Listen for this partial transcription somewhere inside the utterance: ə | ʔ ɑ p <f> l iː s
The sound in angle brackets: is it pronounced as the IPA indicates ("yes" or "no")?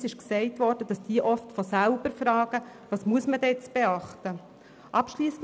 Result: no